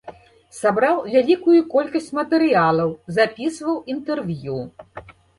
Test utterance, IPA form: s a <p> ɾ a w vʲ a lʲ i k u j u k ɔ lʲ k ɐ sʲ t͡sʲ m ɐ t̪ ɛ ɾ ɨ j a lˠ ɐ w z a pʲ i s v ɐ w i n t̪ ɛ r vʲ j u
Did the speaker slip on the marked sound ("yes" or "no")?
yes